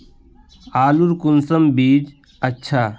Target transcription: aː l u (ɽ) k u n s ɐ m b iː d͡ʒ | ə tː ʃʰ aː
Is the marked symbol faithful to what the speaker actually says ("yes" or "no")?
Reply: no